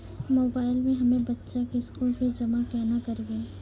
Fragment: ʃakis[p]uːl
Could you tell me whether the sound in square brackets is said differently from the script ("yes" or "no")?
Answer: yes